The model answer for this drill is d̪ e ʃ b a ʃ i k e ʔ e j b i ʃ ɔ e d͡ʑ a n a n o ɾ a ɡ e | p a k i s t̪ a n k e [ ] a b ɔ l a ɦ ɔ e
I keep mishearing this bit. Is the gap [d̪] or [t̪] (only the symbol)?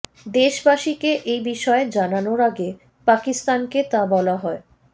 t̪